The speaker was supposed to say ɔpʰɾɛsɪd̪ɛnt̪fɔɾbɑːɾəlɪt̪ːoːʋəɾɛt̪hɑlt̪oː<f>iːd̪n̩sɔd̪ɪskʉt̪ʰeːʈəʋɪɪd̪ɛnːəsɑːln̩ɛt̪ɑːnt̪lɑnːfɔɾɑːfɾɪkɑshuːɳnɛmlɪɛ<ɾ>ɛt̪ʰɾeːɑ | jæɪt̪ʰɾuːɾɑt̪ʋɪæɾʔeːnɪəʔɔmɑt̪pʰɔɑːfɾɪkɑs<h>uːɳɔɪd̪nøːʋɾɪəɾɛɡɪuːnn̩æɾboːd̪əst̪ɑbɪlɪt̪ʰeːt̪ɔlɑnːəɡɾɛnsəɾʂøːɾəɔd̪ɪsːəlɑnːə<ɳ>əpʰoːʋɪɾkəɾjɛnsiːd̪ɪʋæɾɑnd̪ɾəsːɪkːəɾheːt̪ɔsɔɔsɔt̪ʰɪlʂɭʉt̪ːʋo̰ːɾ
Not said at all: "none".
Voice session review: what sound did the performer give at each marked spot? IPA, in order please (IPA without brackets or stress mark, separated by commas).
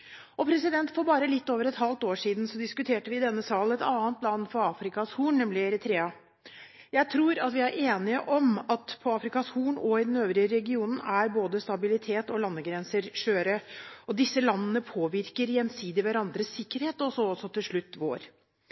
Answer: ʂ, ɾ, h, n